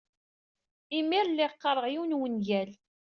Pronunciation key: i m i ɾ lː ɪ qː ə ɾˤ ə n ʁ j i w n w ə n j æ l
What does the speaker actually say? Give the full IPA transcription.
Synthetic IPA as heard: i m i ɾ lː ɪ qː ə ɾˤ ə ʁ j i w n w ə n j æ l

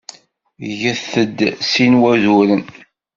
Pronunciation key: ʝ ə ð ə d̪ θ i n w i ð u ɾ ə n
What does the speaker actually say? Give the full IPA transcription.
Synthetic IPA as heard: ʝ ə θ ə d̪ s i n w æ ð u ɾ ə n

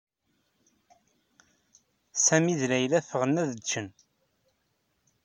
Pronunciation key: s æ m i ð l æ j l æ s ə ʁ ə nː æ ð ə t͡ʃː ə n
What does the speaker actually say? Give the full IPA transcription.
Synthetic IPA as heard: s æ m i ð l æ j l æ f ə ʁ ə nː æ ð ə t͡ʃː ə n

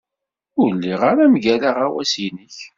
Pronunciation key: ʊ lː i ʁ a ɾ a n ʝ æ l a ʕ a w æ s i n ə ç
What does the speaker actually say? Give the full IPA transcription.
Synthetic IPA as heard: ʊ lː i ʁ a ɾ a m ʝ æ l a ʁ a w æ s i n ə ç

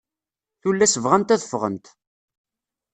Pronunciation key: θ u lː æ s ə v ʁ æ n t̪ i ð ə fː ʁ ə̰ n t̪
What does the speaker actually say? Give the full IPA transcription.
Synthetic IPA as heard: θ u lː æ s ə v ʁ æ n t̪ æ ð ə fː ʁ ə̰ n t̪

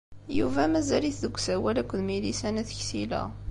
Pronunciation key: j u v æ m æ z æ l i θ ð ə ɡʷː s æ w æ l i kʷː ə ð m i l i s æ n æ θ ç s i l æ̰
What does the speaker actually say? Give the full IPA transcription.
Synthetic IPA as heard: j u v æ m æ z æ l i θ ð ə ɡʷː s æ w æ l æ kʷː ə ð m i l i s æ n æ θ ç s i l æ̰

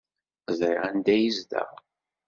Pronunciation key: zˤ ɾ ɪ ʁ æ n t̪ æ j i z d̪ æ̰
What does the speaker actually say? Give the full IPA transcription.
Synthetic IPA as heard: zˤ ɾ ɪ ʁ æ n d̪ æ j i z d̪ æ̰

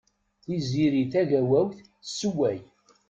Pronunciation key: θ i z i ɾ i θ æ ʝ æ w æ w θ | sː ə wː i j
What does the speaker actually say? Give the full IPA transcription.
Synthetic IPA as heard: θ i z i ɾ i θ æ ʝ æ w æ w θ | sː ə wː æ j

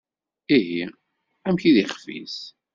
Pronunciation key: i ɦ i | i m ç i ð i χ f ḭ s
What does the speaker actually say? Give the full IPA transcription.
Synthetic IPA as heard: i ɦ i | æ m ç i ð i χ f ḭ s

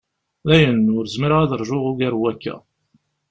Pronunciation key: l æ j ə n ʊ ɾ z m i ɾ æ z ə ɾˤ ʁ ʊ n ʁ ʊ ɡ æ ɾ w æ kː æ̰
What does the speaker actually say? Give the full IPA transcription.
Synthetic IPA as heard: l æ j ə n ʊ ɾ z m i ɾ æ ð ə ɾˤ ʒ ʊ ʁ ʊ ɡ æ ɾ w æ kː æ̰

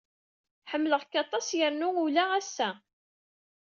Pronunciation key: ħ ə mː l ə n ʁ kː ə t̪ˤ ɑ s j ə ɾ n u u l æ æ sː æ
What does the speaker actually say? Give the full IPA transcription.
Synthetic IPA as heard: ħ ə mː l ə ʁ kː ɑ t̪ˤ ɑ s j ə ɾ n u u l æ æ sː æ

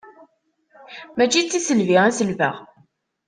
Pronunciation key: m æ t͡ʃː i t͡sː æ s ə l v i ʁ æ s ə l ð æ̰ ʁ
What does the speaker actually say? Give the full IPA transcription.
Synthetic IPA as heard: m æ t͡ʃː i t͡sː i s ə l v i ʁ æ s ə l v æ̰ ʁ

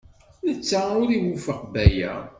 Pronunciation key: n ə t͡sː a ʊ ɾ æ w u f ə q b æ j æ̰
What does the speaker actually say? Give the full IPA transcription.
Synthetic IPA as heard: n ə t͡sː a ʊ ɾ i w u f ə q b æ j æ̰

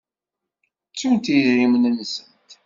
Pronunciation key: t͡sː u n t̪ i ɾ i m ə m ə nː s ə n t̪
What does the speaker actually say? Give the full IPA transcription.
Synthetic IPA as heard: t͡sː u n t̪ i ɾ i m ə n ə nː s ə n t̪

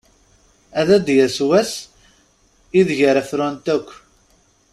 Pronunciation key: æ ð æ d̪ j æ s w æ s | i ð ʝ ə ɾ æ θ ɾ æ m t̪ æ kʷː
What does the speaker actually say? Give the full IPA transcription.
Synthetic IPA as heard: æ ð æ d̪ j æ s w æ s | i ð ʝ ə ɾ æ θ ɾ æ n t̪ æ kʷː

